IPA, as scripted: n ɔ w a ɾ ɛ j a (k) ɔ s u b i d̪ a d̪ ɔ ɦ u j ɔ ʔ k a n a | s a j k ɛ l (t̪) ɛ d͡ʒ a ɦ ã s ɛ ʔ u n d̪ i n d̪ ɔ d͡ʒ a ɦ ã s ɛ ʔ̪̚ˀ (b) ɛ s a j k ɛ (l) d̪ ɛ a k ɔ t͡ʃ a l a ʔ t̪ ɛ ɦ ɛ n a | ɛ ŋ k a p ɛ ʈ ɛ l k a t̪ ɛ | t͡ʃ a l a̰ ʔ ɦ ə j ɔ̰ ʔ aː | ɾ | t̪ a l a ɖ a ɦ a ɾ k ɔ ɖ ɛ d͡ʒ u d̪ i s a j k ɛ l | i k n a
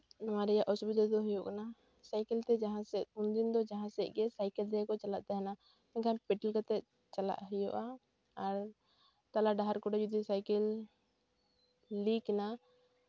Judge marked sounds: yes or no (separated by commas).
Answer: no, yes, no, yes